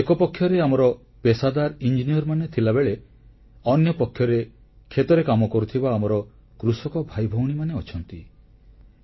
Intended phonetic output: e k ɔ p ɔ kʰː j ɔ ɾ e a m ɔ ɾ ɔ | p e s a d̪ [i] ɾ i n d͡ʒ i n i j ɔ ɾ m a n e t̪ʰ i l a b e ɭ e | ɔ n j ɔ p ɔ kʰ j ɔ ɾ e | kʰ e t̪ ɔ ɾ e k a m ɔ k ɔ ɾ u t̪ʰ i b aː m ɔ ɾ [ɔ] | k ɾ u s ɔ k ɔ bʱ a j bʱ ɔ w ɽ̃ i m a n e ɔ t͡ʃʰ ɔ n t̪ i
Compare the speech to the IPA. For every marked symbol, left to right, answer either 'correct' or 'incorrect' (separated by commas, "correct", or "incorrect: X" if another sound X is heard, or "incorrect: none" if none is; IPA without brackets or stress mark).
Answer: incorrect: a, correct